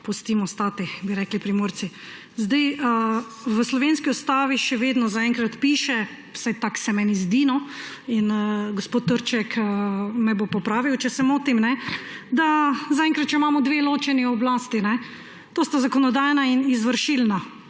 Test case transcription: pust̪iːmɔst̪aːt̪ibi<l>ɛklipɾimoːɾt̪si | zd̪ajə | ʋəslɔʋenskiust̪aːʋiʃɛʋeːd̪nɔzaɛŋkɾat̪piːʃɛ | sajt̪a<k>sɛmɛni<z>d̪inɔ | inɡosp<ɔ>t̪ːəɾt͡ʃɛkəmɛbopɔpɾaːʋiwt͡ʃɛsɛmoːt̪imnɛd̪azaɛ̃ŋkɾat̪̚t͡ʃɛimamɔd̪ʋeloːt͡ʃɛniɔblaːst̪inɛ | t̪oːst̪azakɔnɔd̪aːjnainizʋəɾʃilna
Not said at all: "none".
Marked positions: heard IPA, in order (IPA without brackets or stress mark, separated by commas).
ɾ, k, z, o